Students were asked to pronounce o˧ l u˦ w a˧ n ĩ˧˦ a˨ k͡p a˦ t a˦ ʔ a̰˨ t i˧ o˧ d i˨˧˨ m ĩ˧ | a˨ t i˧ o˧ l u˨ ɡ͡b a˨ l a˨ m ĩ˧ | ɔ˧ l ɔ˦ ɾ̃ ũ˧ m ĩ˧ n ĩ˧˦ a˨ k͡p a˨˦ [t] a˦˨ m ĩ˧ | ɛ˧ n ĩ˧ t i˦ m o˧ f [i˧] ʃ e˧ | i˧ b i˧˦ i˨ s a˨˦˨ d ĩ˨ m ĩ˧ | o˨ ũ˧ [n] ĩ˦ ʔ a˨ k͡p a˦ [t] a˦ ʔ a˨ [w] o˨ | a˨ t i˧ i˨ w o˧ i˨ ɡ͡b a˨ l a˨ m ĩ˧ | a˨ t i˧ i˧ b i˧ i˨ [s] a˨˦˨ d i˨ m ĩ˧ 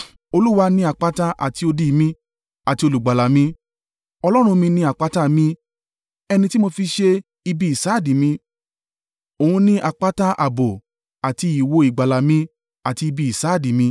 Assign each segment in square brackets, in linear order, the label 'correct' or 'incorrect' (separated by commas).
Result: correct, correct, correct, correct, incorrect, correct